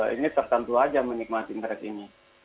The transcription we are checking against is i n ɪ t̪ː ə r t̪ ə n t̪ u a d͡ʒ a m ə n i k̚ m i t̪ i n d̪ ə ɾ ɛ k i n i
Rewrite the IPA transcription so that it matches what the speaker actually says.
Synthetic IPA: i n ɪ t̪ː ə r t̪ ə n t̪ u a d͡ʒ a m ə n i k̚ m a t̪ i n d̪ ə ɾ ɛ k i n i